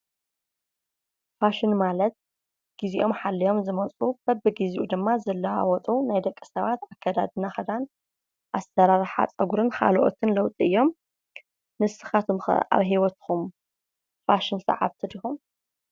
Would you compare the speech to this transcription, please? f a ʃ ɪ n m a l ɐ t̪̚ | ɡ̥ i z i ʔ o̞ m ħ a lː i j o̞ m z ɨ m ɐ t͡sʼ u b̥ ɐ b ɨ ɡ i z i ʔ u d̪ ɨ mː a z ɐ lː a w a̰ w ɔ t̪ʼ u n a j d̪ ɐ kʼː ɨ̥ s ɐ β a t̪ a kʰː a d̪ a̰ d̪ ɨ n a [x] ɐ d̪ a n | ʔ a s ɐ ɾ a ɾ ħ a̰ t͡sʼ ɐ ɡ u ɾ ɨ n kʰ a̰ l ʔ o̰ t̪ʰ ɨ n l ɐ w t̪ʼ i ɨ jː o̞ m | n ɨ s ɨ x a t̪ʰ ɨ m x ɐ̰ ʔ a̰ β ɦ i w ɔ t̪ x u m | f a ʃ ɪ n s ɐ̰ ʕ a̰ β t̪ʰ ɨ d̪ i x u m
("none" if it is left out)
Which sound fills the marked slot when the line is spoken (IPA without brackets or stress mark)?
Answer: x